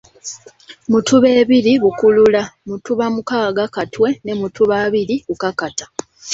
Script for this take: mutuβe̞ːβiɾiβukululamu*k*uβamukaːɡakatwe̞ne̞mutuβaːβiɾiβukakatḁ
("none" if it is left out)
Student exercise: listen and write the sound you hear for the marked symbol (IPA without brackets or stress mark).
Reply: t